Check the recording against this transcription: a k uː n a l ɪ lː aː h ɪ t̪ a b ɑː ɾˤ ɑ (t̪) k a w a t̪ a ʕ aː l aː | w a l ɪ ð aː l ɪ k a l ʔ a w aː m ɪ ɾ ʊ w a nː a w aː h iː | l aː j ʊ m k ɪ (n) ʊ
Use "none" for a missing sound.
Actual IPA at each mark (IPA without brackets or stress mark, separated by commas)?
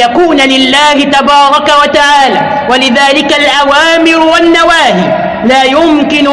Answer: none, n